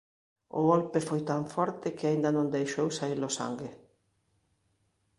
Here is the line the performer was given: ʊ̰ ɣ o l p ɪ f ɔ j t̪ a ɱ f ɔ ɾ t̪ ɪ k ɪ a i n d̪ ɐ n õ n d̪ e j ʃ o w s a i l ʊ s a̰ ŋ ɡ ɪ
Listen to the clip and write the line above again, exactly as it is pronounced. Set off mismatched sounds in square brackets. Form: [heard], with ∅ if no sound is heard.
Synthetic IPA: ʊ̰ ɣ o l p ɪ f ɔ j t̪ a ɱ f ɔ ɾ t̪ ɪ k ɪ a i n d̪ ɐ n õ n d̪ e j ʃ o w s a i l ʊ s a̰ ŋ ɡ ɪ

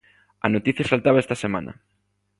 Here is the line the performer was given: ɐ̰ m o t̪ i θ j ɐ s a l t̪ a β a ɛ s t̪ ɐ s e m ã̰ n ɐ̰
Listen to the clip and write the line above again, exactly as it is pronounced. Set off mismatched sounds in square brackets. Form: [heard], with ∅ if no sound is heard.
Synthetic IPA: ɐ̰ [n] o t̪ i θ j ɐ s a l t̪ a β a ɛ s t̪ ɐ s e m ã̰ n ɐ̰

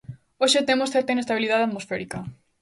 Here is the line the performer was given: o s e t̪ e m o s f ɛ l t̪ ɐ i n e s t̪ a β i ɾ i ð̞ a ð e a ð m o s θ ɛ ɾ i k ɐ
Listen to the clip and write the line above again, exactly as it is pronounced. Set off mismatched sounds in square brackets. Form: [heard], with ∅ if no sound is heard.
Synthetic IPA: o [ʃ] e t̪ e m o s [θ] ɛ [ɾ] t̪ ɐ i n e s t̪ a β i [l] i ð̞ a ð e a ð m o s [f] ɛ ɾ i k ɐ

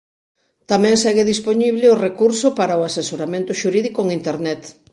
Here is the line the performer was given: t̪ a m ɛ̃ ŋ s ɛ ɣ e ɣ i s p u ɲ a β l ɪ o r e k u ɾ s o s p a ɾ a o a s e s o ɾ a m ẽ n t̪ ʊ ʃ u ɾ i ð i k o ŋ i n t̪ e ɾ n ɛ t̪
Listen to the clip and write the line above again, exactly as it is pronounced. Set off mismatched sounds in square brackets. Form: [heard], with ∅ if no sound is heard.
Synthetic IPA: t̪ a m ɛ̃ ŋ s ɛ ɣ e [ð] i s p [o] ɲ [i] β l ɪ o r e k u ɾ s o [∅] p a ɾ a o a s e s o ɾ a m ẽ n t̪ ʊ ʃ u ɾ i ð i k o ŋ i n t̪ e ɾ n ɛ t̪

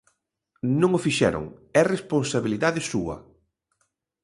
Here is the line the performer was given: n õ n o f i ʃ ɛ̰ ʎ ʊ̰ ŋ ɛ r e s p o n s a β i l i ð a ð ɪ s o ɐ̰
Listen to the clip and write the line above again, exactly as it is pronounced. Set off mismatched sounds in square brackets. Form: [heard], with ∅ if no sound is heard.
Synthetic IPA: n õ [ŋ] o f i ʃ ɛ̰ [ɾ] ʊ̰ ŋ ɛ r e s p o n s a β i l i ð a ð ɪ s [u] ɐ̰

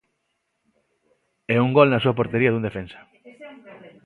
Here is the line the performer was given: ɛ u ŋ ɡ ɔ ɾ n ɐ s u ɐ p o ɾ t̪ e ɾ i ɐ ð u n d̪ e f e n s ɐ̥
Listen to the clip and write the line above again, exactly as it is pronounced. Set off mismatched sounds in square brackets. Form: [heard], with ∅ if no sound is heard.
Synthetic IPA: ɛ u ŋ ɡ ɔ [l] n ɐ s u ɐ p o ɾ t̪ e ɾ i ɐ ð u n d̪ e f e n s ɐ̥

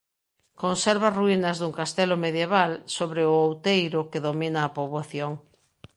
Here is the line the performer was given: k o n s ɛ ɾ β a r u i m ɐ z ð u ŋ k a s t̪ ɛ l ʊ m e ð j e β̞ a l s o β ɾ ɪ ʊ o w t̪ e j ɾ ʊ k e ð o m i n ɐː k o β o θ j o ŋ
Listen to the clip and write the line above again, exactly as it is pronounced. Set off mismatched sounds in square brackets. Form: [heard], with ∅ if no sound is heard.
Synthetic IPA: k o n s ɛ ɾ β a r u i [n] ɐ z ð u ŋ k a s t̪ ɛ l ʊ m e ð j e β̞ a l s o β ɾ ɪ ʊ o w t̪ e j ɾ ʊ k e ð o m i n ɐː [p] o β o θ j o ŋ

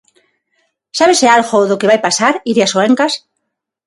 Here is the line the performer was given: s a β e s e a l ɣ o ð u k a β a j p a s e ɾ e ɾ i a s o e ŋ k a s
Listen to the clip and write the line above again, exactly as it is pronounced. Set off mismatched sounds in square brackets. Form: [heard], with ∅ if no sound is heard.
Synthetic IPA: s a β e s e a l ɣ o ð [o] k [e] β a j p a s [a] ɾ [i] ɾ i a s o e ŋ k a s

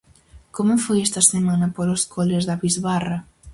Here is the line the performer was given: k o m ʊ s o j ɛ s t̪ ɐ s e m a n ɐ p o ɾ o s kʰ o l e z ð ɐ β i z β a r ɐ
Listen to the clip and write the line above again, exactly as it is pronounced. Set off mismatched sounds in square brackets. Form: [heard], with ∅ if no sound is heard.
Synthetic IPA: k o m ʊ [f] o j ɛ s t̪ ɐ s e m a n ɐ p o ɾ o s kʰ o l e z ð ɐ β i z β a r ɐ

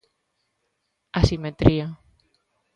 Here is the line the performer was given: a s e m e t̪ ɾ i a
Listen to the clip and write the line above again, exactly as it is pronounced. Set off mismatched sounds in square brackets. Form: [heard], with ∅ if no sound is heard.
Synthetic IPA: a s [i] m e t̪ ɾ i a

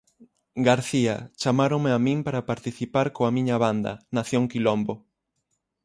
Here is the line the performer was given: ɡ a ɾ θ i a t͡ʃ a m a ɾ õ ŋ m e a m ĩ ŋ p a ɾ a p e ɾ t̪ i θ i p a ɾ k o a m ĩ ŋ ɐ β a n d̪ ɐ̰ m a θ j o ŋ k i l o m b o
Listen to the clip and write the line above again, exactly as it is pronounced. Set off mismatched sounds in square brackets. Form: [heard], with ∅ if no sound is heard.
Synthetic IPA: ɡ a ɾ θ i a t͡ʃ a m a ɾ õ ŋ m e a m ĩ ŋ p a ɾ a p [a] ɾ t̪ i θ i p a ɾ k o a m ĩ [ɲ] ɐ β a n d̪ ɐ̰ [n] a θ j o ŋ k i l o m b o

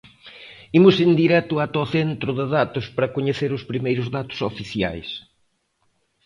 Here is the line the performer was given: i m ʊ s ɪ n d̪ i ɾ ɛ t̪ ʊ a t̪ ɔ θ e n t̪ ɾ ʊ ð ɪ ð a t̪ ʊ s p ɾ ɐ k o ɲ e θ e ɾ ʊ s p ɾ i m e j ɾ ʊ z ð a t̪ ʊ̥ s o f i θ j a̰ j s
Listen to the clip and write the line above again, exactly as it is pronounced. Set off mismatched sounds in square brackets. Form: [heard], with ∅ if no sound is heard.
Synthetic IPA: i m ʊ s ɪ n d̪ i ɾ ɛ t̪ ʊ a t̪ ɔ θ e n t̪ ɾ ʊ ð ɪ ð a t̪ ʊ s p ɾ ɐ k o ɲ e θ e ɾ ʊ s p ɾ i m e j ɾ ʊ z ð a t̪ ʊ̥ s o f i θ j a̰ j s

